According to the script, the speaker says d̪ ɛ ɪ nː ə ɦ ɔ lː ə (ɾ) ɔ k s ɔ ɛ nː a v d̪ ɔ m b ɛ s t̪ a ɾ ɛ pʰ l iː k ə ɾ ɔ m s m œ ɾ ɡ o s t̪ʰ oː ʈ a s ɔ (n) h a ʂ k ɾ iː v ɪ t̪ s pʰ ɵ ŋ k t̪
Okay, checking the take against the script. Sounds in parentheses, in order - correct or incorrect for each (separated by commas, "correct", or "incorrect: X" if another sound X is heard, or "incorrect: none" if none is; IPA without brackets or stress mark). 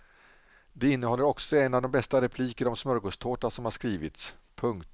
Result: correct, incorrect: m